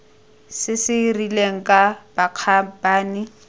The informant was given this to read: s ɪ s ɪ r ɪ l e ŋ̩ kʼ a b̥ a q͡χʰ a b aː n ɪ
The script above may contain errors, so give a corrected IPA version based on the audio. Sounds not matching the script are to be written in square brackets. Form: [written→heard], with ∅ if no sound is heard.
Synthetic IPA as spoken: s ɪ s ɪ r [ɪ→i] l e ŋ̩ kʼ a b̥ a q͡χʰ a b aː n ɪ